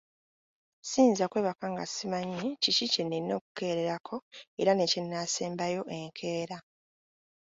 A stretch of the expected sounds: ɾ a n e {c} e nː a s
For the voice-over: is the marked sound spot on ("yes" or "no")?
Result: yes